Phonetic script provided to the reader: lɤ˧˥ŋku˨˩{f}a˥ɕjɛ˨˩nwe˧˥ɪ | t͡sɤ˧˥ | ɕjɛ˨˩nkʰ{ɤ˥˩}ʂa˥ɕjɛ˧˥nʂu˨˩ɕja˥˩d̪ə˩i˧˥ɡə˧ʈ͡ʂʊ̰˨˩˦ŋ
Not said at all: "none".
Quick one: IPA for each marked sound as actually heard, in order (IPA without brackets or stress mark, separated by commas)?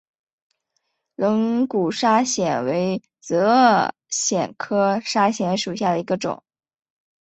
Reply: ʂ, ɤ˥